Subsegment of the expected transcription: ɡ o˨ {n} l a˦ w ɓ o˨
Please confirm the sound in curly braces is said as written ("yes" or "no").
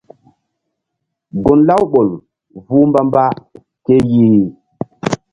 yes